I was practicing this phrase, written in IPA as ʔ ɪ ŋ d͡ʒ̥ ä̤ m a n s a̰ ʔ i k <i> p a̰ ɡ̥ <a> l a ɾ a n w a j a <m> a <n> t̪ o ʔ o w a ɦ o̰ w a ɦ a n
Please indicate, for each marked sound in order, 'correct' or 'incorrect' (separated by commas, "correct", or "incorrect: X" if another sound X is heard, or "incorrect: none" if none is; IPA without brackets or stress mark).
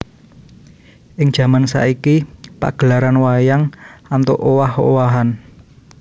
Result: correct, incorrect: ə, incorrect: ŋ, correct